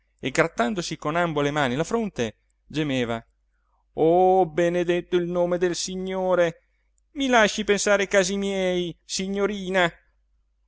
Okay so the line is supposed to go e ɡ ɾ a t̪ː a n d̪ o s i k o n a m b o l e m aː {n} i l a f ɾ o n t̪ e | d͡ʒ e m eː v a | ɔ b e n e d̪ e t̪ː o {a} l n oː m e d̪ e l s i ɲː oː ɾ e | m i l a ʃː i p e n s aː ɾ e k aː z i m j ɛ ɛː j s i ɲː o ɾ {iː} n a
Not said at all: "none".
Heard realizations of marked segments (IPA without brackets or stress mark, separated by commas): n, i, iː